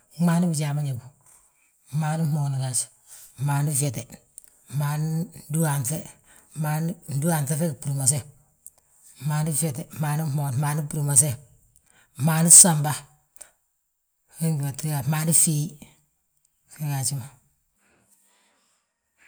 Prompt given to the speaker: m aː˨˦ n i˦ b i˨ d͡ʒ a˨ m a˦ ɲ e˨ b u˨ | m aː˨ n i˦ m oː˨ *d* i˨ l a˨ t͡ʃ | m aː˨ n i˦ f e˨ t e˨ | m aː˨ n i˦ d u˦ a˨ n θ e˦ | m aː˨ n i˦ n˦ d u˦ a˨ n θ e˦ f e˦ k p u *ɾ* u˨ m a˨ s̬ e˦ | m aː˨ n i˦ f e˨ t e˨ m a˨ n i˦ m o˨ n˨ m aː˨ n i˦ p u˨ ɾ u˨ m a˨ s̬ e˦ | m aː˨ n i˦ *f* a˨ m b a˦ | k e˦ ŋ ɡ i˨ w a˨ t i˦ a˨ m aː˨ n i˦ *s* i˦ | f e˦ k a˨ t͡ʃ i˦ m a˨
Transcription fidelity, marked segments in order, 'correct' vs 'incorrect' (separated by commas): incorrect, correct, incorrect, incorrect